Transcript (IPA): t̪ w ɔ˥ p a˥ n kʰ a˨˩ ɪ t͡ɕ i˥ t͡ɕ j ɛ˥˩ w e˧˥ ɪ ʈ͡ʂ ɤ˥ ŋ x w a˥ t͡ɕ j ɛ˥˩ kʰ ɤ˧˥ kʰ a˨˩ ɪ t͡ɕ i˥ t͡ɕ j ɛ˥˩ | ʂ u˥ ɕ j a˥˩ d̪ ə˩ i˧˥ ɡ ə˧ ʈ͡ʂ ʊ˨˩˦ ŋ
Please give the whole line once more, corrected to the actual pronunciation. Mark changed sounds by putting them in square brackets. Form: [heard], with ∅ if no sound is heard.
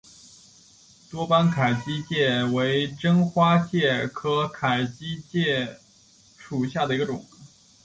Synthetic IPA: t̪ w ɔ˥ p a˥ n kʰ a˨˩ ɪ t͡ɕ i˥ t͡ɕ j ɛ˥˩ w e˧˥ ɪ ʈ͡ʂ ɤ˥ ŋ x w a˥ t͡ɕ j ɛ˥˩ kʰ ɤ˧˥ kʰ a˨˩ ɪ t͡ɕ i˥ t͡ɕ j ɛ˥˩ | ʂ [u˨˩] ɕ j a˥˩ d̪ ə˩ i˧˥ ɡ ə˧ ʈ͡ʂ ʊ˨˩˦ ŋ